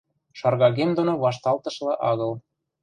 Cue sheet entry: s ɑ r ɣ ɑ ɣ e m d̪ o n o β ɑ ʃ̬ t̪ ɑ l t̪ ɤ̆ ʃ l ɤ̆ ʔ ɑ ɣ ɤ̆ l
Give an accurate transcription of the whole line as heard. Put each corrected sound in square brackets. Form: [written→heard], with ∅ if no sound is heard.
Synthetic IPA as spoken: [s→ʃ] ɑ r ɣ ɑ ɣ e m d̪ o n o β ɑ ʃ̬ t̪ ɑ l t̪ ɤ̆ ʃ l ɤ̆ ʔ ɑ ɣ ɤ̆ l